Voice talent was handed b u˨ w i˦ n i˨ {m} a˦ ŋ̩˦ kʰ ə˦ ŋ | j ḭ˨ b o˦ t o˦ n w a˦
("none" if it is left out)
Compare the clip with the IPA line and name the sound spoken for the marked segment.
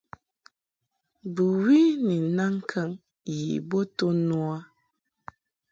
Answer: n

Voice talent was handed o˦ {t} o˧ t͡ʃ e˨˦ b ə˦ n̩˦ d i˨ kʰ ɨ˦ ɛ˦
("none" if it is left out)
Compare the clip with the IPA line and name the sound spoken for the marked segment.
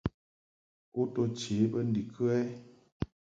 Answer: t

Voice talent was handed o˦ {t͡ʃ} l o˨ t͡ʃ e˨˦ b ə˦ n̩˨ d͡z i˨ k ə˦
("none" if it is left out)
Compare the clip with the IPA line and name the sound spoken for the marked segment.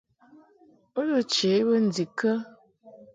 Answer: none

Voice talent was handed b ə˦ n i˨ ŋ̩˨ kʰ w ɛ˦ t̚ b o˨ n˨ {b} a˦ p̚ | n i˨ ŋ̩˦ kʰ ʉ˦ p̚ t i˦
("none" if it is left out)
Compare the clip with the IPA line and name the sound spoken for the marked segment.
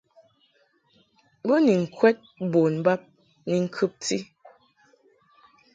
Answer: b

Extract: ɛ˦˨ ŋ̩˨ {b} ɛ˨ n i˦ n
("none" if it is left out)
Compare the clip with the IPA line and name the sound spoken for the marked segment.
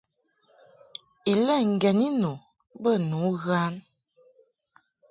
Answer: ɡ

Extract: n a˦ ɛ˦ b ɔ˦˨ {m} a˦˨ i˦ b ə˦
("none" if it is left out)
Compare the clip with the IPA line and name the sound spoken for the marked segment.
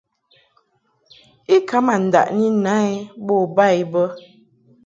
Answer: b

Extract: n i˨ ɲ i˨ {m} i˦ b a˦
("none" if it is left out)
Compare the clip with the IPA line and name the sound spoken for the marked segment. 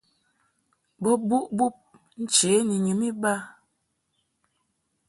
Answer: m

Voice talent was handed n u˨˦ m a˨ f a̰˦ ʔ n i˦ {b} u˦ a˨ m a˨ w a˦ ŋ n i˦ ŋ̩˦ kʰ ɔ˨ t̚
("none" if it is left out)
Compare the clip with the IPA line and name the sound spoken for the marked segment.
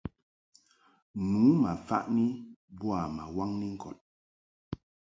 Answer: b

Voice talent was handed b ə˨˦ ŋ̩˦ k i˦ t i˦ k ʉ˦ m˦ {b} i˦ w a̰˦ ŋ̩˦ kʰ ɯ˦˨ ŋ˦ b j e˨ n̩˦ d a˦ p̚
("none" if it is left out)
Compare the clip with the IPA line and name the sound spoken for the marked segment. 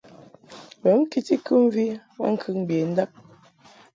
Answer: v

